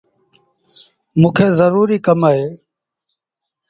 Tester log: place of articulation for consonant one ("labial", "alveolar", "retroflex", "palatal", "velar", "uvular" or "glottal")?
labial